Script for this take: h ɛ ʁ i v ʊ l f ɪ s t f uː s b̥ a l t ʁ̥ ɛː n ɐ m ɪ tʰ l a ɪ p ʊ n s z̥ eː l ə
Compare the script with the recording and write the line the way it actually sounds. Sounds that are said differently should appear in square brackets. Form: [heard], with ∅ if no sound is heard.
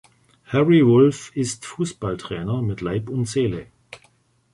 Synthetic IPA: h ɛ ʁ i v ʊ l f ɪ s t f uː s b̥ a l t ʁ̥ ɛː n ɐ m ɪ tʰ l a ɪ p ʊ n [t] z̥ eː l ə